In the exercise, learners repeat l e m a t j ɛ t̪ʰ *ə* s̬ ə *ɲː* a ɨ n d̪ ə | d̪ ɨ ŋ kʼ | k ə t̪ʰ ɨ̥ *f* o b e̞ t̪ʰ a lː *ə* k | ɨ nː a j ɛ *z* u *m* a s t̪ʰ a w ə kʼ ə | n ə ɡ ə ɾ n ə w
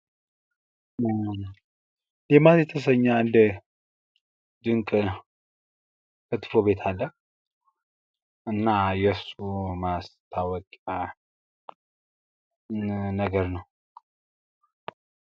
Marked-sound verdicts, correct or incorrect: correct, correct, correct, correct, incorrect: s, correct

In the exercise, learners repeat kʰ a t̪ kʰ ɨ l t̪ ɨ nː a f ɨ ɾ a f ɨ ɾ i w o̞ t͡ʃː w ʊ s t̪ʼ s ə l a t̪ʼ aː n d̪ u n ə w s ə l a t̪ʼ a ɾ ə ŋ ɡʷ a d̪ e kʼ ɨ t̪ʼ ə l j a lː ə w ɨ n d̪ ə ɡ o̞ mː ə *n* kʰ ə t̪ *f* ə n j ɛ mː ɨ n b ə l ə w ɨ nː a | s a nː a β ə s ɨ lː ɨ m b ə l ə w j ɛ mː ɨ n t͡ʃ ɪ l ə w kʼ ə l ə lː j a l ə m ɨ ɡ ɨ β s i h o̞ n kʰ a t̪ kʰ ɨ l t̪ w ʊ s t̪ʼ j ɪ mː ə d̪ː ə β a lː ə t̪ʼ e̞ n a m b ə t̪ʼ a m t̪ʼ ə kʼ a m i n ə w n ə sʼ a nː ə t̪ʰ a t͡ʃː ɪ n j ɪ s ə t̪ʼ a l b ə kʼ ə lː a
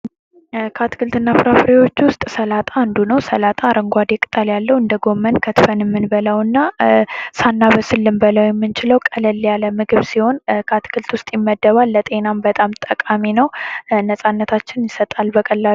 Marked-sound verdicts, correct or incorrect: correct, correct

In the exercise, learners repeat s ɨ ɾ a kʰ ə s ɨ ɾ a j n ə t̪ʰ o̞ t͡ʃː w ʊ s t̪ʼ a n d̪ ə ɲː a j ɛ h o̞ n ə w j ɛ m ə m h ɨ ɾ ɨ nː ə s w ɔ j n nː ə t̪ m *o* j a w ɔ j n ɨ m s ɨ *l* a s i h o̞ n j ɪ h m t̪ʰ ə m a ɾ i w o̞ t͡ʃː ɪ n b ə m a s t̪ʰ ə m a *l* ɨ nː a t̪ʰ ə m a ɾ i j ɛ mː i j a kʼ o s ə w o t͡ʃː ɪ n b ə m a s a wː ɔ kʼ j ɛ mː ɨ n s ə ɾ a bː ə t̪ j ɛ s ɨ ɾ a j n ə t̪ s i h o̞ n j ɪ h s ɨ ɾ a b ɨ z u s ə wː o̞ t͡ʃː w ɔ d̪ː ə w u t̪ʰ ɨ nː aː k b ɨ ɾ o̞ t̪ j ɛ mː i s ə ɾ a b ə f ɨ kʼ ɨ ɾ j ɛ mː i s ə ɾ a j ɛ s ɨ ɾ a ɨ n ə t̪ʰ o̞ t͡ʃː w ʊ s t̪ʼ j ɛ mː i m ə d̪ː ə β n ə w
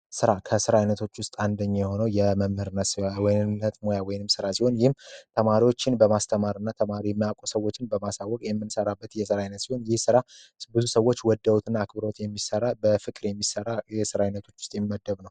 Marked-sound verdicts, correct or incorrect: correct, incorrect: ɾ, incorrect: ɾ

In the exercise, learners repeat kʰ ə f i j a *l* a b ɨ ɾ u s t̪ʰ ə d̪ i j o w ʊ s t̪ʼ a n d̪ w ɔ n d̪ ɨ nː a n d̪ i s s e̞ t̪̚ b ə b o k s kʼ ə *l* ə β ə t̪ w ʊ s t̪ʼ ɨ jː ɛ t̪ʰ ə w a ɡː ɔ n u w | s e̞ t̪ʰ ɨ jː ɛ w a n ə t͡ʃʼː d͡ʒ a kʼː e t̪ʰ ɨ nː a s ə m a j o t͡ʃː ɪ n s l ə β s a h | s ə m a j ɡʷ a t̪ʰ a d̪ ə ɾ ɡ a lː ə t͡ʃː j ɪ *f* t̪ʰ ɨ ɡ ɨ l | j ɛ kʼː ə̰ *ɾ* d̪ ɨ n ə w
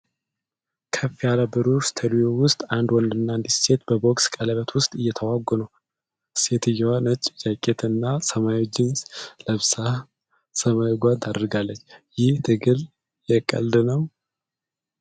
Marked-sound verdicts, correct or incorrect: correct, correct, incorrect: h, incorrect: l

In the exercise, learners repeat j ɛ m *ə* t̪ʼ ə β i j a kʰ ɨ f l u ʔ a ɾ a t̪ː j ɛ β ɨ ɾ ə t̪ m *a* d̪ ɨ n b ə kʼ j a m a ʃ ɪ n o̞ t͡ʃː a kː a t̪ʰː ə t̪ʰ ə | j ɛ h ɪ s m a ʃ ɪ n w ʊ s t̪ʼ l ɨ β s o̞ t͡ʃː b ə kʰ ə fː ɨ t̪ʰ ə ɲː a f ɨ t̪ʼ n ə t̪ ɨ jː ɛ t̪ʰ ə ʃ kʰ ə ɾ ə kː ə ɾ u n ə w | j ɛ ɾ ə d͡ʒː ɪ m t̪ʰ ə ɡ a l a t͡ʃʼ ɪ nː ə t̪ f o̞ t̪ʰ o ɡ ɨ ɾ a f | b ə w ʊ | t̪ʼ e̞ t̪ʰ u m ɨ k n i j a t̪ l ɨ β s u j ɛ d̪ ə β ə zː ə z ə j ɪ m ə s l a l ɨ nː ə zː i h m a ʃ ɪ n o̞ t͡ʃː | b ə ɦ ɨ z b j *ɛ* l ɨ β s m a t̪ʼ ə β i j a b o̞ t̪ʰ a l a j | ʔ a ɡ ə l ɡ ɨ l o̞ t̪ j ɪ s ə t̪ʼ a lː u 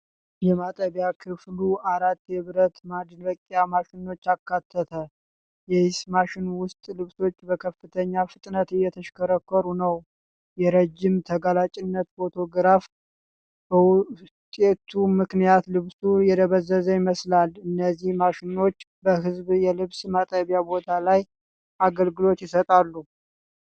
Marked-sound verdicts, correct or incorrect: incorrect: a, correct, correct

